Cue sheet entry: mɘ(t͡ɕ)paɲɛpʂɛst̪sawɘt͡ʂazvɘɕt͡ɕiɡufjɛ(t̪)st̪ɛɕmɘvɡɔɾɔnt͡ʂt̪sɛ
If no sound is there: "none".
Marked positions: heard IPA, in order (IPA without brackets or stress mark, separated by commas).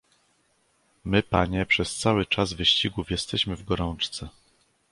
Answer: none, none